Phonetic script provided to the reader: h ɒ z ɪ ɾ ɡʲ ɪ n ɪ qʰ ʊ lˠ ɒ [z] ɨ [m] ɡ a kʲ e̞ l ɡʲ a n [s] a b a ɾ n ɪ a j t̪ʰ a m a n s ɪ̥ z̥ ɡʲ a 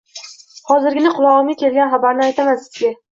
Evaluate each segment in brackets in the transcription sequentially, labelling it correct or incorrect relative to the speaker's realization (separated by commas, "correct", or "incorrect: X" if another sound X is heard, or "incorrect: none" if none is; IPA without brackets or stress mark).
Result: incorrect: ʁ, correct, incorrect: χ